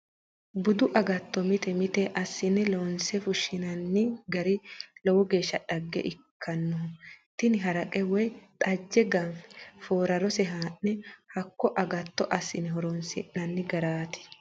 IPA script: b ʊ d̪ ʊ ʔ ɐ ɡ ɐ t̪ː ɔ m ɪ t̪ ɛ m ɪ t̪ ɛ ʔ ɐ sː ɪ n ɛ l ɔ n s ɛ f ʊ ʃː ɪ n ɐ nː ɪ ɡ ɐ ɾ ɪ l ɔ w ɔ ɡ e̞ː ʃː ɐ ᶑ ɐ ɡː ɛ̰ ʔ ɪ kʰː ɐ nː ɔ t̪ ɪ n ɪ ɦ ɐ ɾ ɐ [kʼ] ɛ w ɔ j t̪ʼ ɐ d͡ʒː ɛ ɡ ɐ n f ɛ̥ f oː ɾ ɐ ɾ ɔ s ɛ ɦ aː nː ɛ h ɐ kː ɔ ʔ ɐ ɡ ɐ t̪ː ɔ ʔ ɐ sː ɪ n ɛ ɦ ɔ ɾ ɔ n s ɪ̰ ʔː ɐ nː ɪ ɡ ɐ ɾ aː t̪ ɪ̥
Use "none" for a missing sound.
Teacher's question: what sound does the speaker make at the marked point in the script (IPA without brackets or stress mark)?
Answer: kʼ